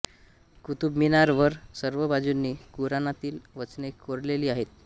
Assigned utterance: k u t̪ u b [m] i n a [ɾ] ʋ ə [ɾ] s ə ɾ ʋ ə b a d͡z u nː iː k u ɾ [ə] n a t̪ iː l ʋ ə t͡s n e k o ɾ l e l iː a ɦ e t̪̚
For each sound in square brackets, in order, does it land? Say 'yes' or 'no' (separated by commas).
yes, yes, yes, no